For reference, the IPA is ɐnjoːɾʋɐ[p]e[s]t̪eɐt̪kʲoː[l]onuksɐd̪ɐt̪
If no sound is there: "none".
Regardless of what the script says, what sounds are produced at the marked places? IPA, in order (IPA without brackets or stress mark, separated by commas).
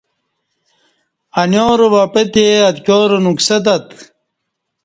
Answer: p, none, ɾ